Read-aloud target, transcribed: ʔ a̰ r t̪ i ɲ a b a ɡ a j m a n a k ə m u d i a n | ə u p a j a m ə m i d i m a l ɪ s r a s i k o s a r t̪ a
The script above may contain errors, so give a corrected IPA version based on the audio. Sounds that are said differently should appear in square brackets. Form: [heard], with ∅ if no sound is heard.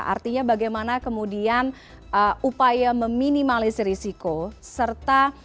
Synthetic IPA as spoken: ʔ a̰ r t̪ i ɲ a b a ɡ a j m a n a k ə m u d i a n | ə u p a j a m ə m i [n] i m a l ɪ s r [i] s i k o s [ə] r t̪ a